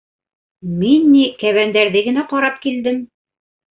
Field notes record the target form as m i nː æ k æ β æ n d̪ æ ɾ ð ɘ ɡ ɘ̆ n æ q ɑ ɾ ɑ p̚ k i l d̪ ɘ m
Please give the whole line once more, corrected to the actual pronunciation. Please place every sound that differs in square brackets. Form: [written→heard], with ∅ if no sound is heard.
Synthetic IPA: m i nː [æ→i] k æ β æ n d̪ æ ɾ ð ɘ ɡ ɘ̆ n æ q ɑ ɾ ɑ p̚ k i l d̪ ɘ m